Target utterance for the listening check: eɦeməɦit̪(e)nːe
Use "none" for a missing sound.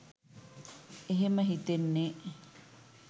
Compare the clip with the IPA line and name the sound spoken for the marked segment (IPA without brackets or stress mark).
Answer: e